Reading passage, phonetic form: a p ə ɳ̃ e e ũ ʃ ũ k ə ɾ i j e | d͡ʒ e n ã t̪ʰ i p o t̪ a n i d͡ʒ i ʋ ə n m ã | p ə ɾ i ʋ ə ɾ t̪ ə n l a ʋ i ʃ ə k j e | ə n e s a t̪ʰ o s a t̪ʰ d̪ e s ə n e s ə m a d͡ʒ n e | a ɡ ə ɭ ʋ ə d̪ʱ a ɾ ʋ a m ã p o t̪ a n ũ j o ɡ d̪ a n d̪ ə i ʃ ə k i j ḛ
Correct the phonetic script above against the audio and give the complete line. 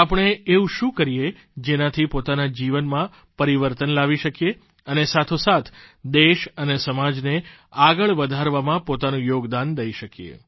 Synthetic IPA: a p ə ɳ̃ e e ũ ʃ ũ k ə ɾ i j e | d͡ʒ e n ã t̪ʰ i p o t̪ a n a d͡ʒ i ʋ ə n m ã | p ə ɾ i ʋ ə ɾ t̪ ə n l a ʋ i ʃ ə k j e | ə n e s a t̪ʰ o s a t̪ʰ d̪ e ʃ ə n e s ə m a d͡ʒ n e | a ɡ ə ɭ ʋ ə d̪ʱ a ɾ ʋ a m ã p o t̪ a n ũ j o ɡ d̪ a n d̪ ə i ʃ ə k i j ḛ